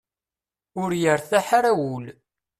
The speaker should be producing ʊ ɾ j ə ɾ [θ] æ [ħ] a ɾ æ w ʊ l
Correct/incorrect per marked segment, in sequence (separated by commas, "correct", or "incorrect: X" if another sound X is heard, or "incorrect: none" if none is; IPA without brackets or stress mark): correct, correct